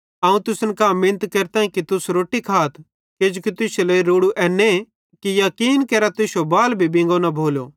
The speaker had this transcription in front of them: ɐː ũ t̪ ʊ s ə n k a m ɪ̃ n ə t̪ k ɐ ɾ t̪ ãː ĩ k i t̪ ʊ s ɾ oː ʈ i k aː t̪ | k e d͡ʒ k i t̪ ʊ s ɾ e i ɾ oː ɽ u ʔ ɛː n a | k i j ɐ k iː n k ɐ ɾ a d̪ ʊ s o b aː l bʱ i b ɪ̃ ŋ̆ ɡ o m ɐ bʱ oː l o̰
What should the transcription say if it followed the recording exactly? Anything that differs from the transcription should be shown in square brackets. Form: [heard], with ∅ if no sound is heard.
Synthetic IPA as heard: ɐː ũ t̪ ʊ s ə n k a m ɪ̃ n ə t̪ k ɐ ɾ t̪ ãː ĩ k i t̪ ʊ s ɾ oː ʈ i [kʰ] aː t̪ | k e d͡ʒ k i t̪ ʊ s [l] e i ɾ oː ɽ u ʔ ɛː n [e] | k i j ɐ k iː n k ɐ ɾ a [t̪] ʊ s o b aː l bʱ i b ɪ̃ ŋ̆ ɡ o [n] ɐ bʱ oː l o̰